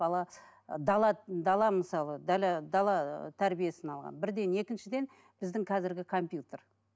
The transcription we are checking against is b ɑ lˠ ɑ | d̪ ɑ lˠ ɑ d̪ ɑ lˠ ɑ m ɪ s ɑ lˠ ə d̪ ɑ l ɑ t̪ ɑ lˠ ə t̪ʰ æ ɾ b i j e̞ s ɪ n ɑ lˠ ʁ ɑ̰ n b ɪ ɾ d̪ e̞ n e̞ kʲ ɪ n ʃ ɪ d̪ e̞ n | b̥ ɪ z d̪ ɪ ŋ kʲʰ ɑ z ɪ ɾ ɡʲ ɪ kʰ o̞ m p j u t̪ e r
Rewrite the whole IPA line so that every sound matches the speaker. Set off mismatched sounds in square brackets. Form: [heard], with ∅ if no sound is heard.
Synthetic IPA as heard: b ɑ lˠ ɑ | d̪ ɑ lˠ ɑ d̪ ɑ lˠ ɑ m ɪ s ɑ lˠ ə d̪ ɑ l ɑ [d̪] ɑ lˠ [ɑ] t̪ʰ æ ɾ b i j e̞ s ɪ n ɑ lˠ ʁ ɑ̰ n b ɪ ɾ d̪ e̞ n e̞ kʲ ɪ n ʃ ɪ d̪ e̞ n | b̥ ɪ z d̪ ɪ ŋ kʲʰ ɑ z ɪ ɾ ɡʲ ɪ kʰ o̞ m p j u t̪ e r